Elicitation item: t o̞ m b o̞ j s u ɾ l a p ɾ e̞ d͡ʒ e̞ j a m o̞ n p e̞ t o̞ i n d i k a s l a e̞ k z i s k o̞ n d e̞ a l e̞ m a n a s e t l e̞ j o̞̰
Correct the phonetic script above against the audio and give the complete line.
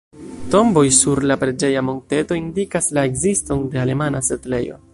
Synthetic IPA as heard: t o̞ m b o̞ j s u ɾ l a p ɾ e̞ d͡ʒ e̞ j a m o̞ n t e̞ t o̞ i n d i k a s l a e̞ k z i s t o̞ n d e̞ a l e̞ m a n a s e t l e̞ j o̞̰